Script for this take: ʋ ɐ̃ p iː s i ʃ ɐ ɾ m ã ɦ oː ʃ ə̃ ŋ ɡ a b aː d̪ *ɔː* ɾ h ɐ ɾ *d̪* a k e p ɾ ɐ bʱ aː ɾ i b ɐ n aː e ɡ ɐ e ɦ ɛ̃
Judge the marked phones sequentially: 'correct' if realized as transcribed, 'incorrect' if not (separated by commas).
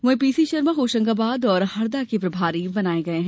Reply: correct, correct